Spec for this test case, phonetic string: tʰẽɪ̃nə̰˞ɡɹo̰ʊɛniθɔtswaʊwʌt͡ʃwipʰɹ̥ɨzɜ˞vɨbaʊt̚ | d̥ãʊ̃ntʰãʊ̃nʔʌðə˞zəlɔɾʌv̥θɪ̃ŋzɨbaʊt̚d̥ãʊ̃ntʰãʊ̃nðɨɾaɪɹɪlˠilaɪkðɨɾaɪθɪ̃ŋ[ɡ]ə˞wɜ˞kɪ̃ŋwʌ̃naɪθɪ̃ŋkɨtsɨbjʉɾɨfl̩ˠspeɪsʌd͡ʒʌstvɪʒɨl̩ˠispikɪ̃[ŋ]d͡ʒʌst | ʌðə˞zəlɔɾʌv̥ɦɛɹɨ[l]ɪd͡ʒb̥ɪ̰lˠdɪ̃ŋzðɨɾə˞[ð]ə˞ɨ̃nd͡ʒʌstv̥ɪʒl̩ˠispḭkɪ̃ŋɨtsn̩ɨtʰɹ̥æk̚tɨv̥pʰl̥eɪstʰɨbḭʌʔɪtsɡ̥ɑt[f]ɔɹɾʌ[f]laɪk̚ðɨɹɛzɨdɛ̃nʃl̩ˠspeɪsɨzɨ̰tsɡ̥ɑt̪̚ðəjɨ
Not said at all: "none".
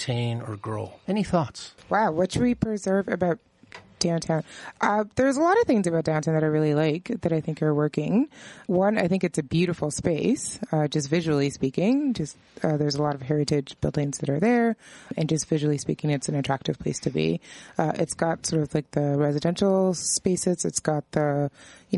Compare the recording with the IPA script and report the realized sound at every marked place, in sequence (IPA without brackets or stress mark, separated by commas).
k, ŋ, ɾ, ð, s, v